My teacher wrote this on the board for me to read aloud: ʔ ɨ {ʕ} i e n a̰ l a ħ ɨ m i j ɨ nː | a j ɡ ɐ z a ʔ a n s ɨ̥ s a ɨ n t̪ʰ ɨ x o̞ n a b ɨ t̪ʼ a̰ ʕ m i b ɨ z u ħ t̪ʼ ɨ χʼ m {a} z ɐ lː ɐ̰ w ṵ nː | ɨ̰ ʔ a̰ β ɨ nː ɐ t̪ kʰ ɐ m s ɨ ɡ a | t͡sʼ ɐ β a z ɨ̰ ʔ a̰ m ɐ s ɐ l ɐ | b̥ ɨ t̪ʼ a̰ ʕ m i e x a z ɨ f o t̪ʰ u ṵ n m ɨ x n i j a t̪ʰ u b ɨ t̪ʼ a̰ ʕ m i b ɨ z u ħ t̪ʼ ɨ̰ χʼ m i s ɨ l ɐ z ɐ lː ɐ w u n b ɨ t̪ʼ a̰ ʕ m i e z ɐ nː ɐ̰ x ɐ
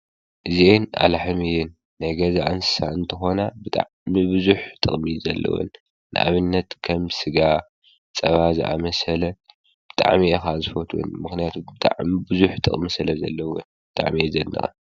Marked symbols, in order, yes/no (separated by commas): no, no